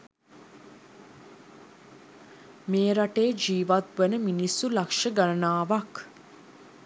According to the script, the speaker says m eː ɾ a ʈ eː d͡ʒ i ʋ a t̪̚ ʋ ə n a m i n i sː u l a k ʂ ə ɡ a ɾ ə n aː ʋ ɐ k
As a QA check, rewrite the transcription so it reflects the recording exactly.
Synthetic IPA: m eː ɾ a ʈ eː d͡ʒ iː ʋ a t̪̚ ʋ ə n ə m i n i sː u l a k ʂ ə ɡ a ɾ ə n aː ʋ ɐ k